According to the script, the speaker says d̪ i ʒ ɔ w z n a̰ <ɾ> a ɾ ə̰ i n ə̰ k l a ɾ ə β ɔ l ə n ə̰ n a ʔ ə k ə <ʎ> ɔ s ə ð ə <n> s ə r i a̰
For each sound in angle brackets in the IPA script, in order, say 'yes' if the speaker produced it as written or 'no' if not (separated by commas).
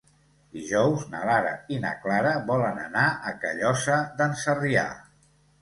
no, yes, yes